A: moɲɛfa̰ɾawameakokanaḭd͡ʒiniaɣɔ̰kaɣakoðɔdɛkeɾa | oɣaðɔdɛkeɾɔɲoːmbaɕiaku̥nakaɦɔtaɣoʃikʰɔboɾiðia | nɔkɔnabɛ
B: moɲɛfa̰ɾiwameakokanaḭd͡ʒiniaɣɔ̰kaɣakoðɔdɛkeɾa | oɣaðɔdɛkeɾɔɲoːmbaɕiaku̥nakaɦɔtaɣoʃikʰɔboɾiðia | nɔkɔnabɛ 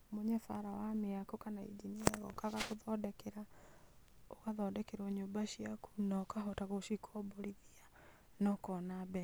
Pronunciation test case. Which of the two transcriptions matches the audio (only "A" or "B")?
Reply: A